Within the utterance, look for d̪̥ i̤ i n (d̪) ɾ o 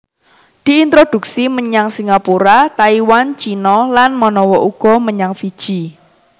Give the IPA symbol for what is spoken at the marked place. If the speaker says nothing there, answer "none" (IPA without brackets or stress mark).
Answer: t̪